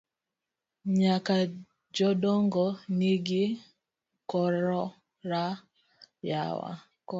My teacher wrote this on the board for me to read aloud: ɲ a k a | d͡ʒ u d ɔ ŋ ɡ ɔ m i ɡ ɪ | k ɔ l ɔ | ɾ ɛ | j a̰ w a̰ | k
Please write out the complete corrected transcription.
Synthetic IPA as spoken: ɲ a k a | d͡ʒ ɔ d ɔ ŋ ɡ ɔ n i ɡ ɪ | k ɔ ɾ ɔ | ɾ a | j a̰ w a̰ | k